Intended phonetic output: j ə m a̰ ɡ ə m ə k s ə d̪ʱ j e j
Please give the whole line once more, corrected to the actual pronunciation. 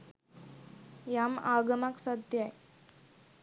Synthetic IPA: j a m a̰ ɡ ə m a k s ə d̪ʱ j a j